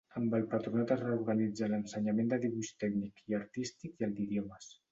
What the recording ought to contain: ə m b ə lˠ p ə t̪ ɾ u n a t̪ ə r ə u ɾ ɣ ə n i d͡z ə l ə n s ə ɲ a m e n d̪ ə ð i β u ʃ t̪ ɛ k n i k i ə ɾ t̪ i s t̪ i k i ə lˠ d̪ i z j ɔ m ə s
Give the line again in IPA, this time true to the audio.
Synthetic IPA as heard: ə m b ə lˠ p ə t̪ ɾ u n a t̪ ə r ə u ɾ ɣ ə n i d͡z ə l ə n s ə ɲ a m e n d̪ ə ð i β u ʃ t̪ ɛ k n i k i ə ɾ t̪ i s t̪ i k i ə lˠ d̪ i ð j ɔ m ə s